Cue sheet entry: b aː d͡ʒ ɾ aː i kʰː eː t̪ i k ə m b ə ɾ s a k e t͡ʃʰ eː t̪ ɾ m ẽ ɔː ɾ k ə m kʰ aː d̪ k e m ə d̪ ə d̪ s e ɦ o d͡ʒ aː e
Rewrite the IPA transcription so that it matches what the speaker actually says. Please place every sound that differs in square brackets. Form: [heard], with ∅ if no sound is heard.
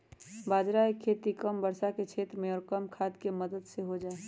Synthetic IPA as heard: b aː d͡ʒ ɾ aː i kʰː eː t̪ i k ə m b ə ɾ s a k e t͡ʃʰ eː t̪ ɾ m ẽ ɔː ɾ k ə m kʰ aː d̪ k e m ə d̪ ə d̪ s e ɦ o d͡ʒ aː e